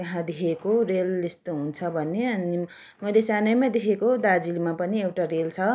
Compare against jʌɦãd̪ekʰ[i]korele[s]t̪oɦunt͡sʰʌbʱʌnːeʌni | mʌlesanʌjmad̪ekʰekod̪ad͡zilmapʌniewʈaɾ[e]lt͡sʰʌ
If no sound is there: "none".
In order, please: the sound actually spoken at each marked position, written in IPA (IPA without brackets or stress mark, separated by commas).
e, s, e